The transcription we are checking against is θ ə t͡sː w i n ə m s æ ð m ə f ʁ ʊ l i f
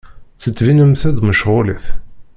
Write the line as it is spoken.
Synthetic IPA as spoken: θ ə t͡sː v i n ə m θ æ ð m ə ʃ ʁ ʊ l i θ

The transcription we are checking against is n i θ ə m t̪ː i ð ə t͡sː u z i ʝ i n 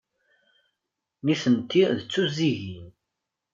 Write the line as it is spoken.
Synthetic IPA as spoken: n i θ ə n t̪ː i ð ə t͡sː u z i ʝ i n

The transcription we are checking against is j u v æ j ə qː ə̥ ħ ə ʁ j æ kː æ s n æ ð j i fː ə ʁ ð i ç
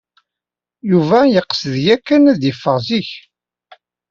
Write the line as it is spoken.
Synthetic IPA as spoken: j u v æ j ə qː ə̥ s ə ð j æ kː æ n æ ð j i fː ə ʁ z i ç

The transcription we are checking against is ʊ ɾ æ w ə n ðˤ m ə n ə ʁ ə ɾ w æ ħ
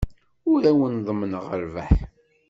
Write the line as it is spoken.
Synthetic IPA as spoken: ʊ ɾ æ w ə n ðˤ m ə n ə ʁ ə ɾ v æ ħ

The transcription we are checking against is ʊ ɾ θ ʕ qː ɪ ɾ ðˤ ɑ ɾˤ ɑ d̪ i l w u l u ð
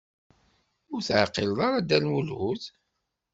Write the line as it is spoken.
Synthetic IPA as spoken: ʊ ɾ θ ʕ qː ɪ l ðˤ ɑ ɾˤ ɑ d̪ æ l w u l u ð

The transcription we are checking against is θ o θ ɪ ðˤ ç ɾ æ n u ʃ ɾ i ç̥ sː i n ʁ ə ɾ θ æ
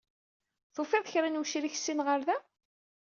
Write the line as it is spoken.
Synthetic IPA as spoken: θ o f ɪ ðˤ ç ɾ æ n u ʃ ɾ i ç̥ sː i n ʁ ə ɾ ð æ

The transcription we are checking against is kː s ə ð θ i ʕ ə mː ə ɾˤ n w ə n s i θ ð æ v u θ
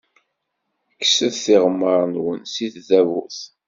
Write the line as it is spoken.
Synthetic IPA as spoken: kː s ə ð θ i ʁ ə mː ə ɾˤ n w ə n s i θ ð æ v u θ

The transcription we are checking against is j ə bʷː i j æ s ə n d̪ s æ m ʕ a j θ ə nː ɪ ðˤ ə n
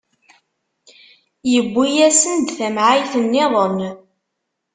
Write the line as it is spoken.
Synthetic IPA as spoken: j ə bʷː i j æ s ə n d̪ θ æ m ʕ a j θ ə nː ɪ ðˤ ə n

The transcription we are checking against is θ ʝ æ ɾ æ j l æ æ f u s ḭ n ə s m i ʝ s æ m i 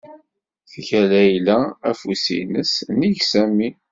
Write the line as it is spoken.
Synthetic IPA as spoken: θ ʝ æ l æ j l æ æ f u s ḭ n ə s n i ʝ s æ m i

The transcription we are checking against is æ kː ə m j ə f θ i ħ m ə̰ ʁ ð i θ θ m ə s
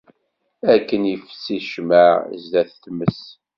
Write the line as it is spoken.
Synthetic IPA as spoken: æ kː ə n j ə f s i ʃ m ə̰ z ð æ θ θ m ə s

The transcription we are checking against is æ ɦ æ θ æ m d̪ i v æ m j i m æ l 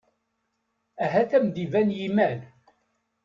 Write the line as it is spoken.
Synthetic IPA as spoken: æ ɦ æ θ æ m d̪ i v æ n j i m æ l

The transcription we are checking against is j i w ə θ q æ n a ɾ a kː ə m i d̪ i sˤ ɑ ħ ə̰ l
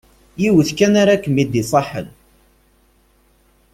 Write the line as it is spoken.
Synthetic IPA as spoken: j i w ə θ k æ n a ɾ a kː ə m i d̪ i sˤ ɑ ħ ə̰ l

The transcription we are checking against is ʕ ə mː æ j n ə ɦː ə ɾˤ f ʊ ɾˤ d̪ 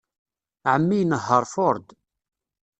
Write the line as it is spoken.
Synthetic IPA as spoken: ʕ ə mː i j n ə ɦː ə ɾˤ f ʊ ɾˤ d̪

